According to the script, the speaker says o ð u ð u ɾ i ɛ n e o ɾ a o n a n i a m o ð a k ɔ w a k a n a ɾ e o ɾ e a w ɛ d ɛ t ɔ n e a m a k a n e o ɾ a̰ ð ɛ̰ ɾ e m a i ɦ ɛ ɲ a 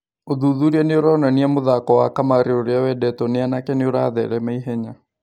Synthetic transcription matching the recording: o ð u ð u ɾ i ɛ n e o ɾ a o n a n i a m o ð a k ɔ w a k a m a ɾ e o ɾ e a w ɛ d ɛ t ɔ n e a n a k ɛ n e o ɾ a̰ ð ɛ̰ ɾ ɛ m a i ɦ ɛ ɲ a